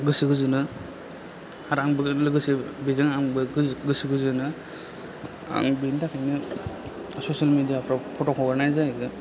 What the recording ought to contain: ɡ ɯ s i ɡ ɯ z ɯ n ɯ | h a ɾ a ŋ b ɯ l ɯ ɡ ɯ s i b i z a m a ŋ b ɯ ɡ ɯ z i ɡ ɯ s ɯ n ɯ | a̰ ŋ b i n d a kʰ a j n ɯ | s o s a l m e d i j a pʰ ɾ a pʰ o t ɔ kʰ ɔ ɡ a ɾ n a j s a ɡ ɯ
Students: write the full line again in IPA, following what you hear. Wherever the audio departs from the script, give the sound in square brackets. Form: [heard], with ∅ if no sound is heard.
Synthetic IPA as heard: ɡ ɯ s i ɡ ɯ z ɯ n ɯ | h a ɾ a ŋ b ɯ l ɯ ɡ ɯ s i b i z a [ŋ] a ŋ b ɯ ɡ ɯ [s] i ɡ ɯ [z] ɯ n ɯ | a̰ ŋ b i n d a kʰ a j n ɯ | s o s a l m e d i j a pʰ ɾ a pʰ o t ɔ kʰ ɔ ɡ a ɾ n a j [z] a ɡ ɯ